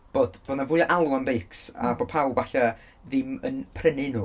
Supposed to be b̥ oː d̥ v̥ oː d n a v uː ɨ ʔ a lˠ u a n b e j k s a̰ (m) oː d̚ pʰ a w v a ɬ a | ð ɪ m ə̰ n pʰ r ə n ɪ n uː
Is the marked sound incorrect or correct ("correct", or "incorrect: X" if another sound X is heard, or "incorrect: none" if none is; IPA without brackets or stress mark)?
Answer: incorrect: b